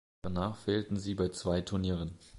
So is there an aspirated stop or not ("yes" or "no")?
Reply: yes